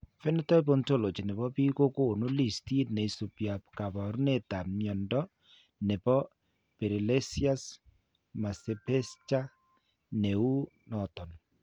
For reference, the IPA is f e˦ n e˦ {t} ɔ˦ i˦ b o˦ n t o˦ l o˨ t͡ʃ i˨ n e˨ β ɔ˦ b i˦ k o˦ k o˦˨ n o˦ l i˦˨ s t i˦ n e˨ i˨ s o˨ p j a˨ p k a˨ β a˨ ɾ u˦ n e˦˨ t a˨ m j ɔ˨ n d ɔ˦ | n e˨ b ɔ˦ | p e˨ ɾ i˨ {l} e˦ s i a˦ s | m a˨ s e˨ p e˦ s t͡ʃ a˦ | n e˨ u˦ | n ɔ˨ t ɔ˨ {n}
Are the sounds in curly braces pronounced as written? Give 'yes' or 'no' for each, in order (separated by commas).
yes, yes, yes